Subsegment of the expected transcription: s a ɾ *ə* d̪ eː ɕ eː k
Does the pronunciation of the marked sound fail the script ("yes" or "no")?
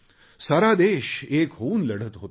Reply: yes